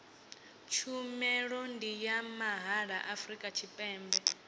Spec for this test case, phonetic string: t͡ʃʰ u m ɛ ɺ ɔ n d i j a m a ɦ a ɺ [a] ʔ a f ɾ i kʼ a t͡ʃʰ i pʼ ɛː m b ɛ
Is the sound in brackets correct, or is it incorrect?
correct